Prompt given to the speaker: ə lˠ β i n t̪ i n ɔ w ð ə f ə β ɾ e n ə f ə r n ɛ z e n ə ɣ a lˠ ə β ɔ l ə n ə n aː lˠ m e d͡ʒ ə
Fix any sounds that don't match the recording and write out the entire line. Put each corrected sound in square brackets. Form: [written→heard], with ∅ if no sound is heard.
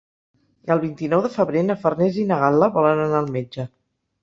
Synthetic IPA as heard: ə lˠ β i n t̪ i n ɔ w ð ə f ə β ɾ e n ə f ə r n ɛ z [e→i] n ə ɣ a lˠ ə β ɔ l ə n ə n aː lˠ m e d͡ʒ ə

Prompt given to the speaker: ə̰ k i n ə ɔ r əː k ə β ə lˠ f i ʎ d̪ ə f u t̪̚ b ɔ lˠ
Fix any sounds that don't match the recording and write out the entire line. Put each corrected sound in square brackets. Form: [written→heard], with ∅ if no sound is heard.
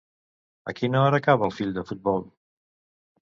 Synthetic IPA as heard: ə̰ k i n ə ɔ [r→ɾ] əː k [ə→a] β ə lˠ f i ʎ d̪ ə f u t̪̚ b ɔ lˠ

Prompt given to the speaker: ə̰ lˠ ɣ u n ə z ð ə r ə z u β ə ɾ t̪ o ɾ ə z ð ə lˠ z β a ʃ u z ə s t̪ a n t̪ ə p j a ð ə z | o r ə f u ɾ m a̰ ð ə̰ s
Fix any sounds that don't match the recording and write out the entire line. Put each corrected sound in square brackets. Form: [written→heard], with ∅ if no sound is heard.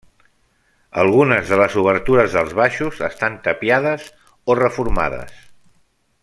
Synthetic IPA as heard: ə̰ lˠ ɣ u n ə z ð ə [r→l] ə z u β ə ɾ t̪ [o→u] ɾ ə z ð ə lˠ z β a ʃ u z ə s t̪ a n t̪ ə p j a ð ə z | o r ə f u ɾ m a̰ ð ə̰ s

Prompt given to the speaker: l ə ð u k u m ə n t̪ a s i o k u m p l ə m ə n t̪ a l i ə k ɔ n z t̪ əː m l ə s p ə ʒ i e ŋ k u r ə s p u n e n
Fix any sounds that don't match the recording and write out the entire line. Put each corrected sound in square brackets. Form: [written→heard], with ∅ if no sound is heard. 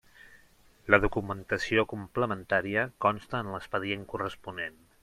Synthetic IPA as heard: l ə ð u k u m ə n t̪ [a→ə] s i o k u m p l ə m ə n t̪ a [l→ɾ] i ə k ɔ n [z→s] t̪ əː [m→n] l ə s p ə [ʒ→ð] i e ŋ k u r ə s p u n e n

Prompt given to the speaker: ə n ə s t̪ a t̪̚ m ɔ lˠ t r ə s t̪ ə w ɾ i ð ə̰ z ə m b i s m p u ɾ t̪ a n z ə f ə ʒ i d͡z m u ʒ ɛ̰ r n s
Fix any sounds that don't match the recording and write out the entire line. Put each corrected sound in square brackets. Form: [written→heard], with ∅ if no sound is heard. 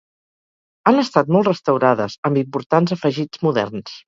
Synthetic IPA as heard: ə n ə s t̪ a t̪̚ m ɔ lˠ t r ə s t̪ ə w ɾ [i→a] ð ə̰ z ə m b i [s→∅] m p u ɾ t̪ a n z ə f ə ʒ i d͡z m u [ʒ→ð] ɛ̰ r n s

